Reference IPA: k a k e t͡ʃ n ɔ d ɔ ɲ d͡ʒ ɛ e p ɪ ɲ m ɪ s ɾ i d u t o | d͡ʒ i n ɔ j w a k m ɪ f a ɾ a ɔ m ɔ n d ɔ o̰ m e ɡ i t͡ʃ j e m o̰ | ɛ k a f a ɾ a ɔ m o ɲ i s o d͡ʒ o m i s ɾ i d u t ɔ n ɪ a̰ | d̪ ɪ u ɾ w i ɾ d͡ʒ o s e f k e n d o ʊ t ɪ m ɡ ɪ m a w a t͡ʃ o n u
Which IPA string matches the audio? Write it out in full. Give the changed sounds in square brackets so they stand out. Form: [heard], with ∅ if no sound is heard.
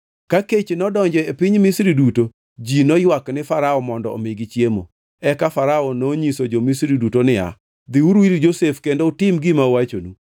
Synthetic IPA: k a k e t͡ʃ n ɔ d ɔ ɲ d͡ʒ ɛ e p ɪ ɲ m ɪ s ɾ i d u t o | d͡ʒ i n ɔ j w a k [n] ɪ f a ɾ a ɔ m ɔ n d ɔ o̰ m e ɡ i t͡ʃ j e m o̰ | ɛ k a f a ɾ a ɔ [n] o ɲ i s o d͡ʒ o m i s ɾ i d u t [o] n ɪ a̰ | d̪ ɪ u ɾ w i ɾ d͡ʒ o s e f k e n d o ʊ t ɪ m ɡ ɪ m a w a t͡ʃ o n u